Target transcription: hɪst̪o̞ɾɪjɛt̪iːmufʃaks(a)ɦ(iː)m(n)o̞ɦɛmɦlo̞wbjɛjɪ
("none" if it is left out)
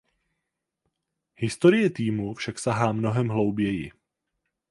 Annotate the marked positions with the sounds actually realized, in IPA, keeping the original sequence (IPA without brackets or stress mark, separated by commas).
a, aː, n